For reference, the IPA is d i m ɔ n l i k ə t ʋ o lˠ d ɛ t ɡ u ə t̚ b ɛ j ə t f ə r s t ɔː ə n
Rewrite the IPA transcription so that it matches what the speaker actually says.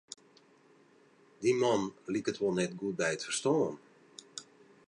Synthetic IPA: d i m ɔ n l i k ə t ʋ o lˠ n ɛ t ɡ u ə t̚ b ɛ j ə t f ə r s t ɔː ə n